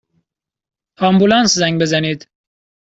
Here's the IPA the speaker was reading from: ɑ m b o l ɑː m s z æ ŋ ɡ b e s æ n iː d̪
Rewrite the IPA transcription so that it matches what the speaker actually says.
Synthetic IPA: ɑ m b u l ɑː n s z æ ŋ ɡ b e z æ n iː d̪